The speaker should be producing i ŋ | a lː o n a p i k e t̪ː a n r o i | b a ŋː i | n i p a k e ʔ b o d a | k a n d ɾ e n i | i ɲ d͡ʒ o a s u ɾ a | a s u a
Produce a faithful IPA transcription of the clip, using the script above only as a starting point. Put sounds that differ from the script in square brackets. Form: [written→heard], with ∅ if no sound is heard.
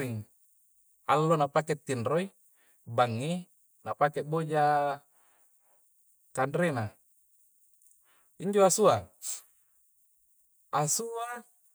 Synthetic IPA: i ŋ | a lː o n a p [i→a] k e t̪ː [a→i] n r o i | b a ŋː i | n [i→a] p a k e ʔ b o [d→d͡ʒ] a | k a n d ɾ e n [i→a] | i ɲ d͡ʒ o a s u [ɾ→∅] a | a s u a

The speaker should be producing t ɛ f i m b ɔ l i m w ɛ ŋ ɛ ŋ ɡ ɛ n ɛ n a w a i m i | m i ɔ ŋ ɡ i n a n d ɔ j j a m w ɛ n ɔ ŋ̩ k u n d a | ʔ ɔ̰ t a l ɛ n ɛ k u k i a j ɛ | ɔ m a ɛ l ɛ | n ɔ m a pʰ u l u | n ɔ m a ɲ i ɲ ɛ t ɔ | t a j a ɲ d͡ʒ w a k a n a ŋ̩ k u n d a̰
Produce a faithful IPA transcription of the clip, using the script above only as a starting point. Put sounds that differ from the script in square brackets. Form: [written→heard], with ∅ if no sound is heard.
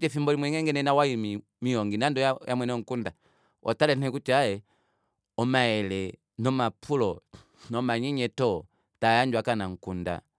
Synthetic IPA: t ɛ f i m b ɔ l i m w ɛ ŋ ɛ ŋ ɡ ɛ n ɛ n a w a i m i | m i ɔ ŋ ɡ i n a n d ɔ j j a m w ɛ n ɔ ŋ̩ k u n d a | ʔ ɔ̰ t a l ɛ n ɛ k u [k→t] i a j ɛ | ɔ m a ɛ l ɛ | n ɔ m a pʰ u l [u→ɔ] | n ɔ m a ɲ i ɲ ɛ t ɔ | t a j a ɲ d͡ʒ w a k a n a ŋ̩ k u n d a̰

